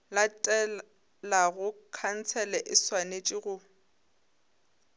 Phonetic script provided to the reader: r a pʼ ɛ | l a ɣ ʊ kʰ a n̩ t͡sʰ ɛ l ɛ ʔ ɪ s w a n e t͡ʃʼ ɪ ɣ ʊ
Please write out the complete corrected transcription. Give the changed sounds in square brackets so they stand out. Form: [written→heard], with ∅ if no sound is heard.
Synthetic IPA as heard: [r→l] a [pʼ→tʼ] ɛ | l a ɣ ʊ kʰ a n̩ t͡sʰ ɛ l ɛ ʔ ɪ s w a n e t͡ʃʼ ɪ ɣ ʊ